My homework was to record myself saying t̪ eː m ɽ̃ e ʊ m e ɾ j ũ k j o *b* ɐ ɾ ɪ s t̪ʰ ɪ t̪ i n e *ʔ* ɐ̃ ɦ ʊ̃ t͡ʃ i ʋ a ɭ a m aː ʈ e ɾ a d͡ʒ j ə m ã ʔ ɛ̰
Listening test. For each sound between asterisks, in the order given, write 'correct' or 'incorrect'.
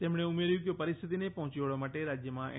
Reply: incorrect, incorrect

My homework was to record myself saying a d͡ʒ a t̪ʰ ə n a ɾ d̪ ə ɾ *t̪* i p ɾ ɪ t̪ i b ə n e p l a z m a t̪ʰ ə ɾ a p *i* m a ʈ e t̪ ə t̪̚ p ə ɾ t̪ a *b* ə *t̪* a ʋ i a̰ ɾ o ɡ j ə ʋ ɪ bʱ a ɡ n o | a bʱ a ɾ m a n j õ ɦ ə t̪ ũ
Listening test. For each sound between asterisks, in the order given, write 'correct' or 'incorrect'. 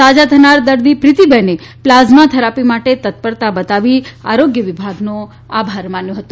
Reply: incorrect, correct, correct, correct

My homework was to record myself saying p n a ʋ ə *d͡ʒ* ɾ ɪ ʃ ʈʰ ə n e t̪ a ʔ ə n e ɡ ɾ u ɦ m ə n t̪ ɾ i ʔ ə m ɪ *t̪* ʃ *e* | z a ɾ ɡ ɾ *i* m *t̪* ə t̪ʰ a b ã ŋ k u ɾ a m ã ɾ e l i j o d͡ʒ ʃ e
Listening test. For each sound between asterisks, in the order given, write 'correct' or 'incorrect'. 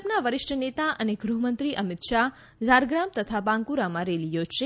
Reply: incorrect, correct, incorrect, incorrect, correct

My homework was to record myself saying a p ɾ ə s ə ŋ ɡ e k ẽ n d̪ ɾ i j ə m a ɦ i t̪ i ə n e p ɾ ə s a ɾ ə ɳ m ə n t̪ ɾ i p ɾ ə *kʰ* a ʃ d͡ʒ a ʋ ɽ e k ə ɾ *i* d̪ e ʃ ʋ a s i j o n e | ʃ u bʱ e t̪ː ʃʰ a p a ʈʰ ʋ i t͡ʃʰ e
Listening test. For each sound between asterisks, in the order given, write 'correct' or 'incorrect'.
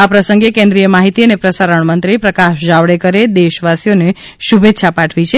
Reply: incorrect, incorrect

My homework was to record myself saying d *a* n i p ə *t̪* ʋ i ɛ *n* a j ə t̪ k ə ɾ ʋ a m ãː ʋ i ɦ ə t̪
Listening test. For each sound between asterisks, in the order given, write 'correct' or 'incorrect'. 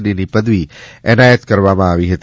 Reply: incorrect, incorrect, correct

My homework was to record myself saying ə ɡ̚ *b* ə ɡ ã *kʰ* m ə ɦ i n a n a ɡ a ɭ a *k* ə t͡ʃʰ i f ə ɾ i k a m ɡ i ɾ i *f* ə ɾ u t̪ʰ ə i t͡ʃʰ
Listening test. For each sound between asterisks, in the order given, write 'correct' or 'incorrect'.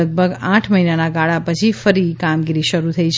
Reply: correct, incorrect, incorrect, incorrect

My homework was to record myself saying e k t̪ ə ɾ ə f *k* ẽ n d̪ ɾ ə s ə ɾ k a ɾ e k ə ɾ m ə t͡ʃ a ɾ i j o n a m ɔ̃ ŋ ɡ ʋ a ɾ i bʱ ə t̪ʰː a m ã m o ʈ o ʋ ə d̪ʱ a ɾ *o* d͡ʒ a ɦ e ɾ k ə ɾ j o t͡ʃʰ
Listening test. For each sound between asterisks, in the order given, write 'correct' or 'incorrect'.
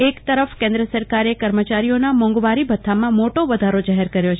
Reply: correct, correct

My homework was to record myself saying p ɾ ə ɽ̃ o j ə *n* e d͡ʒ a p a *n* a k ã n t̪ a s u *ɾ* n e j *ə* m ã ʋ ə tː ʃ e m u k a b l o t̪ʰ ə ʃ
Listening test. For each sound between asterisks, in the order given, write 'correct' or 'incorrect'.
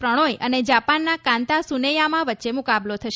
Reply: correct, incorrect, incorrect, incorrect

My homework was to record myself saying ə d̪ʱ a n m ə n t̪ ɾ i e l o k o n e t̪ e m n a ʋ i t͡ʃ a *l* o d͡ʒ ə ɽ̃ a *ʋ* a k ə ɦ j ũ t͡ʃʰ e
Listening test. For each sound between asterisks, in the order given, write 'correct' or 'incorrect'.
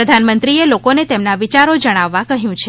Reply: incorrect, incorrect

